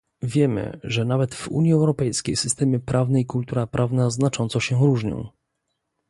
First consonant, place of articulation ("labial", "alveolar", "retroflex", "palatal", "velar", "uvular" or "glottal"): labial